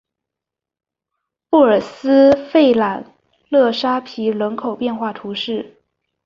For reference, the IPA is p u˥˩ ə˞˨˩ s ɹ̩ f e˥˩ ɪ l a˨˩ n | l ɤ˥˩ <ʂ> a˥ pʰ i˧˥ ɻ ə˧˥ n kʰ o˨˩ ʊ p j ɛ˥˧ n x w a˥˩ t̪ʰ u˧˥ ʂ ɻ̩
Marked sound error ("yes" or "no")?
no